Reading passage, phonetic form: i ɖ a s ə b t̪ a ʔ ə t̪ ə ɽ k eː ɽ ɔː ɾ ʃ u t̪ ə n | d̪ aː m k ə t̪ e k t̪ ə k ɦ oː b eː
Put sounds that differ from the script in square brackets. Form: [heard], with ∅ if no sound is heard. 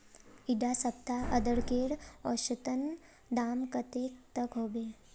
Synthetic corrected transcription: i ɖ a s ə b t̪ a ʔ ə [d̪] ə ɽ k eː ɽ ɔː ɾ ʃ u t̪ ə n | d̪ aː m k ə t̪ e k t̪ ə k ɦ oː b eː